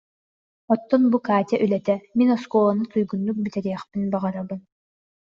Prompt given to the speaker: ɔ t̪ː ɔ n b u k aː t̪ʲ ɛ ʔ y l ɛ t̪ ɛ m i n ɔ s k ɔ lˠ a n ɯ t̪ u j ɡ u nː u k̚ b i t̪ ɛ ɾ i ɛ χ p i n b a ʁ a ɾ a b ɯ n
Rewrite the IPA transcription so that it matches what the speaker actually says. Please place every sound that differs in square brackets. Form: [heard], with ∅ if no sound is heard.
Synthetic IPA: ɔ t̪ː ɔ n b u k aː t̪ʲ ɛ ʔ y l ɛ t̪ ɛ m i n ɔ s k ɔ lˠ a n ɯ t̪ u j ɡ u nː u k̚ b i t̪ ɛ ɾ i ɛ χ p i n b a ʁ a ɾ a b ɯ n